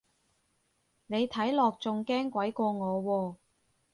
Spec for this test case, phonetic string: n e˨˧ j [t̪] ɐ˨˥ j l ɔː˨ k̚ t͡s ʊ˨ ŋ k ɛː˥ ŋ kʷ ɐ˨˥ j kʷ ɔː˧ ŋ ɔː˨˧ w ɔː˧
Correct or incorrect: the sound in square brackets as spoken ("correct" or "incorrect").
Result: incorrect